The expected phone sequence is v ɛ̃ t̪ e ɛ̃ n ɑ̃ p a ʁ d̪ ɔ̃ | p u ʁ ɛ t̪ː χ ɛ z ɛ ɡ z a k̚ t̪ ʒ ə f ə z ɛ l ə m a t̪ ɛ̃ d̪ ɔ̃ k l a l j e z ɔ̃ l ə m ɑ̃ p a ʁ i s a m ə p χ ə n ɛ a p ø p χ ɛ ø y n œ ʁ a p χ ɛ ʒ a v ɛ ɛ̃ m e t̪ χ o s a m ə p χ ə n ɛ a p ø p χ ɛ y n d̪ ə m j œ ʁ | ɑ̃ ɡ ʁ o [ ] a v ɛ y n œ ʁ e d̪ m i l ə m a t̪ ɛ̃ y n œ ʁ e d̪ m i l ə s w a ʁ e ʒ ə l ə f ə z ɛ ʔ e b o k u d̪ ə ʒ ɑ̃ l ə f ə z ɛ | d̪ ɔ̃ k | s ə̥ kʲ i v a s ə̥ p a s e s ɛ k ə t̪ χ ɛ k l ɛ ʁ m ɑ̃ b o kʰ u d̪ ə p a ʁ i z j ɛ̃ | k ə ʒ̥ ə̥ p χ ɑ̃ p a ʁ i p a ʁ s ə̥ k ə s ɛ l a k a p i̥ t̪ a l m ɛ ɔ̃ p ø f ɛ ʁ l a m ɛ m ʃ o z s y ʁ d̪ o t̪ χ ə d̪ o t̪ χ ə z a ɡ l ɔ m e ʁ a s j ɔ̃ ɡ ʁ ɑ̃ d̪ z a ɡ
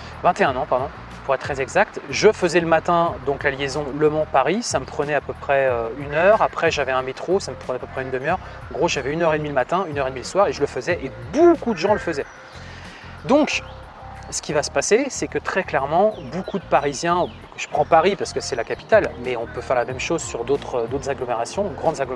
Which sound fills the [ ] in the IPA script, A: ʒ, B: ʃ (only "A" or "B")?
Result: A